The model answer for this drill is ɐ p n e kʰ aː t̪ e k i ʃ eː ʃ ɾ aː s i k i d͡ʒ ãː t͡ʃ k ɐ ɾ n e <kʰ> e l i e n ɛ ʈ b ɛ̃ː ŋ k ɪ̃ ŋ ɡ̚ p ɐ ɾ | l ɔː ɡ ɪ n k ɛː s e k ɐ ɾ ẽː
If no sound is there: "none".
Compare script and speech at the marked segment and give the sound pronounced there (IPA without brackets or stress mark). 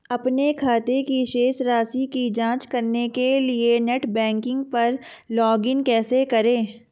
k